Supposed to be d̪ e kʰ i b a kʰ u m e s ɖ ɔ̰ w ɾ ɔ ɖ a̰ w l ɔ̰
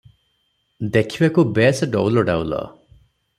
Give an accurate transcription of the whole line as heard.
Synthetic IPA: d̪ e kʰ i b a k u b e s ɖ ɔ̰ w l ɔ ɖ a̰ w l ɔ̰